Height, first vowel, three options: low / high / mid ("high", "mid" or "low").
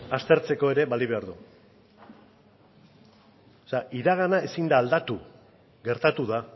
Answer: low